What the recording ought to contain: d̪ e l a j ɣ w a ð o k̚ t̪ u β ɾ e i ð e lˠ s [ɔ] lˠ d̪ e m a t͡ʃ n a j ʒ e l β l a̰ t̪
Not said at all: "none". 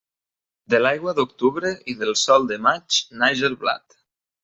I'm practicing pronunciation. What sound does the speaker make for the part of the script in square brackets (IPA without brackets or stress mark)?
ɔ